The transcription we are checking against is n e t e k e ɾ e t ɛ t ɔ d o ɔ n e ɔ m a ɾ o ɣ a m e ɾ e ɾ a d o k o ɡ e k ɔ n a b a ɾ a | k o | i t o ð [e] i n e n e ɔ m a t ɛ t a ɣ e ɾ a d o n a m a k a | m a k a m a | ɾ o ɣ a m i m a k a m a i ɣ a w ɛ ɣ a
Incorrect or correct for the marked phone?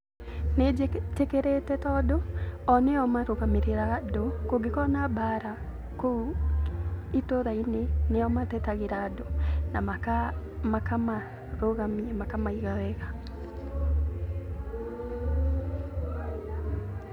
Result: incorrect: a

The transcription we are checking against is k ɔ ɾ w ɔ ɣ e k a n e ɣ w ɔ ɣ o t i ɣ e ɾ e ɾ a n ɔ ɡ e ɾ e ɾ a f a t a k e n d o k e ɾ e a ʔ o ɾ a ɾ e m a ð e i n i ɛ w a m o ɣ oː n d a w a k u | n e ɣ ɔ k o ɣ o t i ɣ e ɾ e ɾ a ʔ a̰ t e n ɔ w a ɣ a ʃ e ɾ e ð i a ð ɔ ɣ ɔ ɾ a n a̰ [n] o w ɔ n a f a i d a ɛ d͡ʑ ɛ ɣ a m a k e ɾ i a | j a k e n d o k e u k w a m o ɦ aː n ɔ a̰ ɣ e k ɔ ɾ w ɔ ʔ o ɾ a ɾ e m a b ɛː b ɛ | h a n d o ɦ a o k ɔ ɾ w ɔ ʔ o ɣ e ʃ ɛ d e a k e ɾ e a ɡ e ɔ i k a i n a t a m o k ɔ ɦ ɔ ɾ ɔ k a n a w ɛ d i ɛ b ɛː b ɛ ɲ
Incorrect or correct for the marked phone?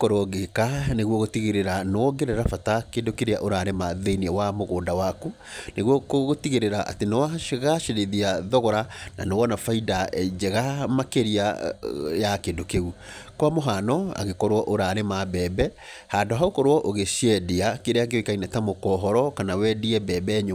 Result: correct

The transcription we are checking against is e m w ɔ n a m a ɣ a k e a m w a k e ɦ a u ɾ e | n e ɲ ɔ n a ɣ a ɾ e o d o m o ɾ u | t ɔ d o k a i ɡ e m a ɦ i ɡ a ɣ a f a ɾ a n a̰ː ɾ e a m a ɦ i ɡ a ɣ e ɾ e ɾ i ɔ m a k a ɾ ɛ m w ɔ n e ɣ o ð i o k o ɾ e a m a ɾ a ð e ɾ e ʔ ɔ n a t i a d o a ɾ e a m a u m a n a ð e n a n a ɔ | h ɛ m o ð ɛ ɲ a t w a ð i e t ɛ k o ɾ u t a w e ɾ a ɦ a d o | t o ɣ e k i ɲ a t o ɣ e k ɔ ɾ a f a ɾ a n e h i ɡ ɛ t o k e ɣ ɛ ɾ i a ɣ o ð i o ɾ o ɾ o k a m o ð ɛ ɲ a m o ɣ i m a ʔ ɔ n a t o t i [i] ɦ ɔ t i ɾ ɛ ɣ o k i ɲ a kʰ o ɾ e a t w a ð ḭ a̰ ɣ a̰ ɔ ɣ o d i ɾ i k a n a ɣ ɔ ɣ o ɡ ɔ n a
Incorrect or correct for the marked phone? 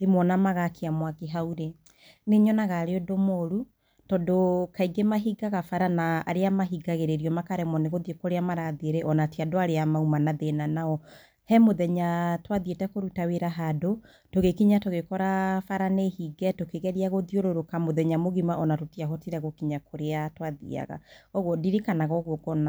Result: incorrect: a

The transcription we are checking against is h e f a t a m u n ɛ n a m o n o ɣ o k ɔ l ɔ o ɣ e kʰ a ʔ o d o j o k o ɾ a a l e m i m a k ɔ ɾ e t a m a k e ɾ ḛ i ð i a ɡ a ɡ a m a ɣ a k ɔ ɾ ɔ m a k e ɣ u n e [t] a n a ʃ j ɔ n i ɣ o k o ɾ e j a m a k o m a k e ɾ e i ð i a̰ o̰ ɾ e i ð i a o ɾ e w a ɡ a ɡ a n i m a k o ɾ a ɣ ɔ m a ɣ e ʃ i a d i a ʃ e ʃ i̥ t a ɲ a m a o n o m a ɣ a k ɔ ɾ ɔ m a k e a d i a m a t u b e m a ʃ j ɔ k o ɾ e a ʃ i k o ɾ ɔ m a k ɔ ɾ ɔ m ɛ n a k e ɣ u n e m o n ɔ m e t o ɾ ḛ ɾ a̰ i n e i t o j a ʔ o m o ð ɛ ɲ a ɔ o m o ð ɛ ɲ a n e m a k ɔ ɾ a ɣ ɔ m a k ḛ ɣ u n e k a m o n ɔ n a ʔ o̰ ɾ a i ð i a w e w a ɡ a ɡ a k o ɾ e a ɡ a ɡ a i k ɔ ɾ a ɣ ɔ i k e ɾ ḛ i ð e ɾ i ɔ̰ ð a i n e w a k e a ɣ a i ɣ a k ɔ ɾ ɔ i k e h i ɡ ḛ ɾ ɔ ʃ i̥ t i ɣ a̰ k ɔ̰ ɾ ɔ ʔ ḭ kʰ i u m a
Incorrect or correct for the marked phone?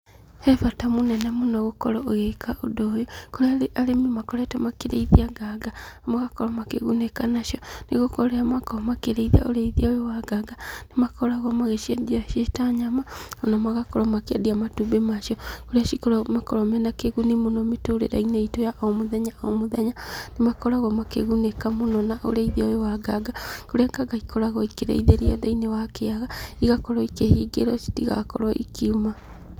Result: incorrect: k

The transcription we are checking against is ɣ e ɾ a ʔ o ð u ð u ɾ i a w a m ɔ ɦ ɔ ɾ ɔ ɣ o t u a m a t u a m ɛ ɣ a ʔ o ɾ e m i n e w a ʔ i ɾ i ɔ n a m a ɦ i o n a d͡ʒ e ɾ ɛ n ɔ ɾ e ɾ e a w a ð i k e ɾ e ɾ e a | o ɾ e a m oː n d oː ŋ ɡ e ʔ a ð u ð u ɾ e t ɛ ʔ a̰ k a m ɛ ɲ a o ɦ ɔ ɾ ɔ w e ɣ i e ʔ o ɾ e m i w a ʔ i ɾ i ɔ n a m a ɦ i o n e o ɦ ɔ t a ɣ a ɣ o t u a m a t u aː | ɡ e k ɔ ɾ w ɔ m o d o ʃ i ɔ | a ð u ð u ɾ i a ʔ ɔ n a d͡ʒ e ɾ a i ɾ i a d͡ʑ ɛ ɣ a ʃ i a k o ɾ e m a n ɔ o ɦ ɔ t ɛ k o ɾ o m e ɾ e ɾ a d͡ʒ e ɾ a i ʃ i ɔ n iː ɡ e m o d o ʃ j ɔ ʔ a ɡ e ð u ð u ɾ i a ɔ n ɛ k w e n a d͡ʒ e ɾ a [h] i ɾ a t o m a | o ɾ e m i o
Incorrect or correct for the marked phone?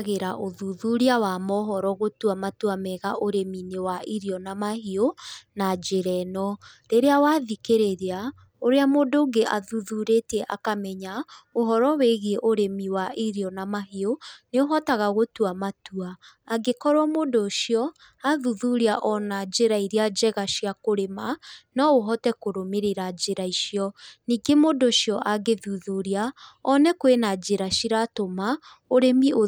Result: incorrect: ʃ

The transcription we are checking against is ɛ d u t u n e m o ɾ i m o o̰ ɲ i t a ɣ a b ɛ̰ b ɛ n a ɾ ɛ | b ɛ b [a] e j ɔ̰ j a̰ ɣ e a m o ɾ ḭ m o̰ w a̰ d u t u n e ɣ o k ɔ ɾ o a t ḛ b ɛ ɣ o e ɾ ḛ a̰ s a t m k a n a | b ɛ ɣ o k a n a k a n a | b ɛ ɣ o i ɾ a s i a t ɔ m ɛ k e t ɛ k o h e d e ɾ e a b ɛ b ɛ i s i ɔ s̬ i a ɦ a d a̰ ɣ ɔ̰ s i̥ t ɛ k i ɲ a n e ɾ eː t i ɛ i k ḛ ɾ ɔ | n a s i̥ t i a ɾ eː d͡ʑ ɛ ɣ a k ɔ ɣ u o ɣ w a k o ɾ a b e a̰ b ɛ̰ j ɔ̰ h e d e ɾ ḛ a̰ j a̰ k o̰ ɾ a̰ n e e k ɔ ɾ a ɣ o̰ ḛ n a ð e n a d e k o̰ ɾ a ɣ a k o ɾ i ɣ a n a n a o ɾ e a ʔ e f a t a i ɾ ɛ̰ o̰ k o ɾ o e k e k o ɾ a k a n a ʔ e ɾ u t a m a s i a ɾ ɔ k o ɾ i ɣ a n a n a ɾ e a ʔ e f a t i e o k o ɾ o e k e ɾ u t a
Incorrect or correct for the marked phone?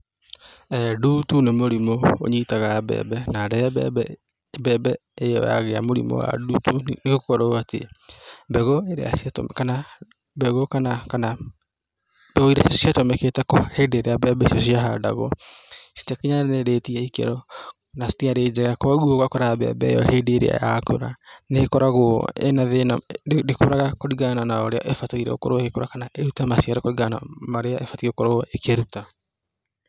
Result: incorrect: ɛ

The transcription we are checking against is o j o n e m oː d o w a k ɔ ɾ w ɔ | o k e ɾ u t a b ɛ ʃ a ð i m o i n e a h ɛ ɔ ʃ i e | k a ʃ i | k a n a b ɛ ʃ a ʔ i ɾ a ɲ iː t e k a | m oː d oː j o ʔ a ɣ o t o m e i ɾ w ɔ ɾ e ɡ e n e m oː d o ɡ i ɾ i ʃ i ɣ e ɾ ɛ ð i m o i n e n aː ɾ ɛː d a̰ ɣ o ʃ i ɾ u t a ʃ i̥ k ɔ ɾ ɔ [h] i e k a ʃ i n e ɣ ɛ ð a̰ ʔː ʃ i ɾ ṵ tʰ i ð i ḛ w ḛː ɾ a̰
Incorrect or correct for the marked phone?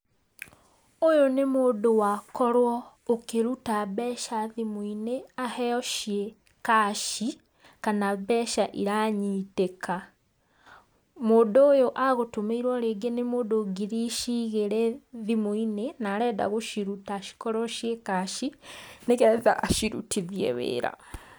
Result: incorrect: ʃ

